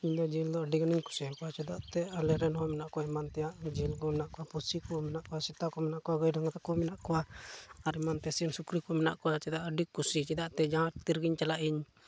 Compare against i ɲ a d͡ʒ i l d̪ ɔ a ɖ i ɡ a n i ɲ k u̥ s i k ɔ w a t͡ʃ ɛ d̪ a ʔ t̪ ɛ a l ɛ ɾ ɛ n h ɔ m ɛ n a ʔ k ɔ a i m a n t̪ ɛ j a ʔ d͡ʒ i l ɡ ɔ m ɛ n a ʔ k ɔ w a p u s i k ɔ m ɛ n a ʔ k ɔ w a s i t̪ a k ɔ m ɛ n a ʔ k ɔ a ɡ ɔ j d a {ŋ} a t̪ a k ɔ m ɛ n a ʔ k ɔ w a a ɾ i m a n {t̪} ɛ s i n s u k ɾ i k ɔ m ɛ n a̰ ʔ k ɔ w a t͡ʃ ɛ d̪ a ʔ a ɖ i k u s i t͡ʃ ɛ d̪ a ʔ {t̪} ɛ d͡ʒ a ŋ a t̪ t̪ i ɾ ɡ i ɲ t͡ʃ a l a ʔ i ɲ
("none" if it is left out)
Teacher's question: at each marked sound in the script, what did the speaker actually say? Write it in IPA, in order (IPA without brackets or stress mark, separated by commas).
ŋ, t̪, t̪